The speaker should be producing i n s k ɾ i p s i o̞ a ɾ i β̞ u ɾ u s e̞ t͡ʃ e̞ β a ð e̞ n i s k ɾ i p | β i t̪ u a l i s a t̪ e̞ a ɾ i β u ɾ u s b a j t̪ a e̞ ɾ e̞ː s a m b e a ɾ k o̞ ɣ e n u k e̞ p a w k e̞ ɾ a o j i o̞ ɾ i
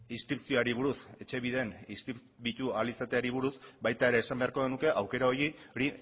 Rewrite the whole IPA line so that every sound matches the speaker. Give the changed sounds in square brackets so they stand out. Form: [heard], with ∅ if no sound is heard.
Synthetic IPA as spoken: i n s k ɾ i p s i o̞ a ɾ i β̞ u ɾ u s e̞ t͡ʃ e̞ β [i] ð e̞ n i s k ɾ i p | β i t̪ u a l i s a t̪ e̞ a ɾ i β u ɾ u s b a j t̪ a e̞ ɾ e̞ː s a m b e a ɾ k o̞ ɣ e n u k e̞ [ʔ] a w k e̞ ɾ a o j i o̞ ɾ i